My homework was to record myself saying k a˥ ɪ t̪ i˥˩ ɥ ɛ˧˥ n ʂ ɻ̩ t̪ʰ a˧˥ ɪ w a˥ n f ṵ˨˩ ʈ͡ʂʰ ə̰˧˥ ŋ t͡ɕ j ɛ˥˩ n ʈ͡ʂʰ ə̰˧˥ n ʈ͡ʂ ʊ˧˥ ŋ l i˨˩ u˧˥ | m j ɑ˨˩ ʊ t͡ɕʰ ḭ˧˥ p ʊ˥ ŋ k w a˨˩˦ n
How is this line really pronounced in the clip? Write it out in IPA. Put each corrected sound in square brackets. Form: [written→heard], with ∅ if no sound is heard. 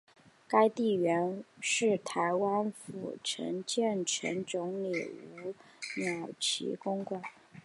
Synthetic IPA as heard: k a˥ ɪ t̪ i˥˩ ɥ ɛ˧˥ n ʂ ɻ̩ t̪ʰ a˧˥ ɪ w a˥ n f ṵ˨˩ ʈ͡ʂʰ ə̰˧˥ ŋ t͡ɕ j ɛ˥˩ n ʈ͡ʂʰ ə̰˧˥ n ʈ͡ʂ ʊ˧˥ ŋ l i˨˩ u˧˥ | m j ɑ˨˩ ʊ t͡ɕʰ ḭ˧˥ [p→k] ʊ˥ ŋ k w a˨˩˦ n